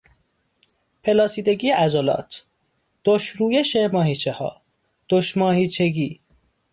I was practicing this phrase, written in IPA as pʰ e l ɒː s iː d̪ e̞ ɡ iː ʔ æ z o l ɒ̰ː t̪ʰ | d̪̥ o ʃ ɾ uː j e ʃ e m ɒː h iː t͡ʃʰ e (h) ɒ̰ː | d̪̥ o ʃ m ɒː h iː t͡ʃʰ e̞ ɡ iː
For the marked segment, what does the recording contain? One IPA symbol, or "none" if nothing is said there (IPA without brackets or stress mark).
h